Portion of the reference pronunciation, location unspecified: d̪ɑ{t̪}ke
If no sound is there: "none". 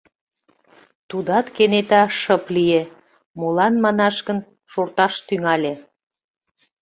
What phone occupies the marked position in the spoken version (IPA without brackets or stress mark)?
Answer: t̪